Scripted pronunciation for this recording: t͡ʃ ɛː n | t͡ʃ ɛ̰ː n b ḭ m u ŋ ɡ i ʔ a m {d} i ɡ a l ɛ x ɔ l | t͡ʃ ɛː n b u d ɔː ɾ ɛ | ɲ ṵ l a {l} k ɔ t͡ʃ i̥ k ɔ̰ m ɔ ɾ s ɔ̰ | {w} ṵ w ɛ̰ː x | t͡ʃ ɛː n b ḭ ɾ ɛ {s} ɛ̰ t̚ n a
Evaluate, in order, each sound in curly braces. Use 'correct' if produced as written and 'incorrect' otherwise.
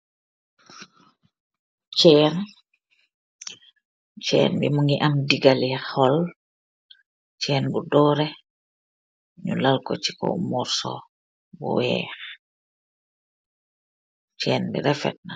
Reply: correct, correct, incorrect: b, incorrect: f

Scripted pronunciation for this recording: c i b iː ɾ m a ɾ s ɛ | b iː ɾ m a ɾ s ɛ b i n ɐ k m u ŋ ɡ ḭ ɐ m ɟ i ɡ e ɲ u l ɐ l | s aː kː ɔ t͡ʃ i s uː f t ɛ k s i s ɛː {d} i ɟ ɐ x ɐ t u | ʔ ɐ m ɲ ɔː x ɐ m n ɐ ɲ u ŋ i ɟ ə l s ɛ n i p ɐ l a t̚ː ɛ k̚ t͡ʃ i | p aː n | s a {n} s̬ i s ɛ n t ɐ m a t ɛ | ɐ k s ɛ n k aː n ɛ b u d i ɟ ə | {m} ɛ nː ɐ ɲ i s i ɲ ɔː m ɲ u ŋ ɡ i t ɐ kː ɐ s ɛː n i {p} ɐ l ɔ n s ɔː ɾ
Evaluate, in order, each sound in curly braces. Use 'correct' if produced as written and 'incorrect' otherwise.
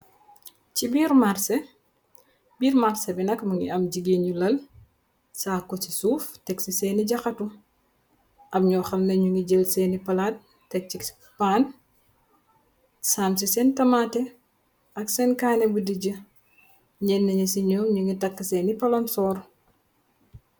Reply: incorrect: n, incorrect: m, incorrect: ɲ, correct

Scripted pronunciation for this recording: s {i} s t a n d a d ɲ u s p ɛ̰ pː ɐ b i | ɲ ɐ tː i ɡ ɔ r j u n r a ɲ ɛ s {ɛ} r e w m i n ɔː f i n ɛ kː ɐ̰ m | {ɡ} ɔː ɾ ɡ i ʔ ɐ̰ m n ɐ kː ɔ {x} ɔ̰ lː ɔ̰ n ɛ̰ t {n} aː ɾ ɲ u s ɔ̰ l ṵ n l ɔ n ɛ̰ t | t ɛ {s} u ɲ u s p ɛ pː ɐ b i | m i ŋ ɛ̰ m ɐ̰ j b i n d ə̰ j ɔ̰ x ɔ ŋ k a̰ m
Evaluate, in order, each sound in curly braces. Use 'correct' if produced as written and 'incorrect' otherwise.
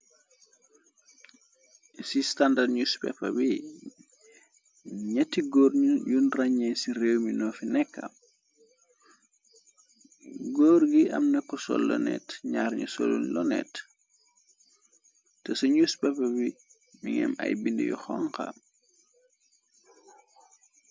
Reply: correct, incorrect: i, correct, incorrect: s, incorrect: ɲ, correct

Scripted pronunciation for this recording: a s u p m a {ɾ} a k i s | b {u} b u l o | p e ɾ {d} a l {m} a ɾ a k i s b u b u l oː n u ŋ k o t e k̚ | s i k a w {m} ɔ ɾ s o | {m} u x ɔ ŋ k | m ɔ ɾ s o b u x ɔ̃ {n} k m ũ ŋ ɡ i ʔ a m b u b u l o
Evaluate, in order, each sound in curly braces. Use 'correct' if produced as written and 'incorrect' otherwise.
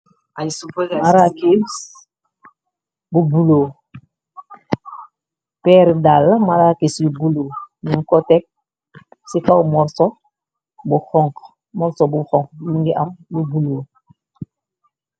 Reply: correct, correct, correct, correct, correct, incorrect: b, incorrect: ŋ

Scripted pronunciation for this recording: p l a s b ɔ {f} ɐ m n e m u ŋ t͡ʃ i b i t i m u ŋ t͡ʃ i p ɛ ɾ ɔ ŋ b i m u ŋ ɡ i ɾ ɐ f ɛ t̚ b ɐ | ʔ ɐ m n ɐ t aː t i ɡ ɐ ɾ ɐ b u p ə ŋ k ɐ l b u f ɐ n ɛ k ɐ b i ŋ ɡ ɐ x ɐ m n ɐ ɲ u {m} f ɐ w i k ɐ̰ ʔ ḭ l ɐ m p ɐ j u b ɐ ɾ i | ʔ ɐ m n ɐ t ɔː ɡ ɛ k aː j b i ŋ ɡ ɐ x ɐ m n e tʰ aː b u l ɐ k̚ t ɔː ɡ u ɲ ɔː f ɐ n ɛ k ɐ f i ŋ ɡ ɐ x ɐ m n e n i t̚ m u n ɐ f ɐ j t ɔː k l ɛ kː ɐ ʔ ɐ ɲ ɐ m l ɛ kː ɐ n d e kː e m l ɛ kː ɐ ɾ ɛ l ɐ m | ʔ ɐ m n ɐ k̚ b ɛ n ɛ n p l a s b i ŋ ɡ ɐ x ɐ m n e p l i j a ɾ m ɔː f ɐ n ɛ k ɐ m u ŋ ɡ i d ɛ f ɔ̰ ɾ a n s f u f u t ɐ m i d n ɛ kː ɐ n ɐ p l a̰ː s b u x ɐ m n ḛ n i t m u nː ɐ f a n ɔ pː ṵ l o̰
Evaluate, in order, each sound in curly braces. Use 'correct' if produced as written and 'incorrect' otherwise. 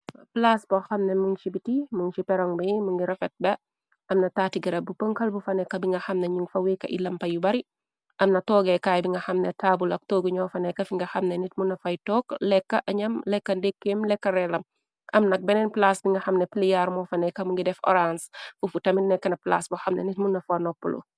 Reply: incorrect: x, incorrect: ŋ

